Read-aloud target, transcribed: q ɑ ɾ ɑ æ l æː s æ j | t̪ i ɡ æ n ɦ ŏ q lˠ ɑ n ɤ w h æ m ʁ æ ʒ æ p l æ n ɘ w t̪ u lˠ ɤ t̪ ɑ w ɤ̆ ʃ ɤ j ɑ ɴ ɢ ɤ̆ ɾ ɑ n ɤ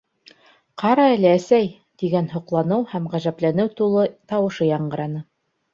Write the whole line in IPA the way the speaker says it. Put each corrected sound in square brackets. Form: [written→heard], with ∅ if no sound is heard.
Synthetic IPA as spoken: q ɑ ɾ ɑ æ l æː s æ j | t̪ i ɡ æ n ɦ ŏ q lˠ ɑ n ɤ w h æ m ʁ æ ʒ æ p l æ n ɘ w t̪ u lˠ ɤ t̪ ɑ w ɤ̆ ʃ ɤ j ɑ ɴ ɢ ɤ̆ ɾ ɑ n ɤ